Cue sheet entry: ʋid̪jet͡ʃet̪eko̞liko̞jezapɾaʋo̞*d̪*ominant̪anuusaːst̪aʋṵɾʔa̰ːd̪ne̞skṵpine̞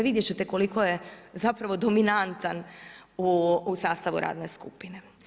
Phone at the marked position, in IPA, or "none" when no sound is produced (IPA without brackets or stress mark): d̪